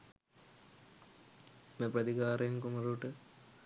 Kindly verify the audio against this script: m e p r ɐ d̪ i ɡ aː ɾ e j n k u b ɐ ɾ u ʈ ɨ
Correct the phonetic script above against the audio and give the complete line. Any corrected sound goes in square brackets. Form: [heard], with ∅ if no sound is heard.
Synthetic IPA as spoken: m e p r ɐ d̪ i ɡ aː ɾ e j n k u [m] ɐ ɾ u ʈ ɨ